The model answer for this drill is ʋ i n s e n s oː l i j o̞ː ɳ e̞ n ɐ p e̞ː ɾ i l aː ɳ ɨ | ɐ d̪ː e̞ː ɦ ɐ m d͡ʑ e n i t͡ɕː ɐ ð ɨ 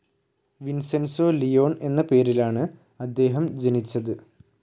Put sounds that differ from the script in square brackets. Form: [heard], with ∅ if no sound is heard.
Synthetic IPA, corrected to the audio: ʋ i n s e n s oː l i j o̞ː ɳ e̞ [nː] ɐ p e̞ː ɾ i l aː ɳ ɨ | ɐ d̪ː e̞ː ɦ ɐ m d͡ʑ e n i t͡ɕː ɐ ð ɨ